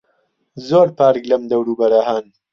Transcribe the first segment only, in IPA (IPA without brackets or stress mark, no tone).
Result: z